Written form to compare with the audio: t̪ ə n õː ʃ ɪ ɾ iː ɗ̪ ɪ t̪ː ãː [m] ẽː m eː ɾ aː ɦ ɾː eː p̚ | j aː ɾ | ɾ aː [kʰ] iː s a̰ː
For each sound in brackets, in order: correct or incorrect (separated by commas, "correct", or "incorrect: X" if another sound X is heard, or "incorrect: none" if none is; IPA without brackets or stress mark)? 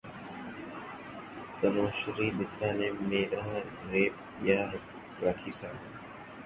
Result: incorrect: n, correct